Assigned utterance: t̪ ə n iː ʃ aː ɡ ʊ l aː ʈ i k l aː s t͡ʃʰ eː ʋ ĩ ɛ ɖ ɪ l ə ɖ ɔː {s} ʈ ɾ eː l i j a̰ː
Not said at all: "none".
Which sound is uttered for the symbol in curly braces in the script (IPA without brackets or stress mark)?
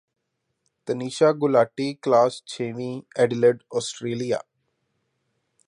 s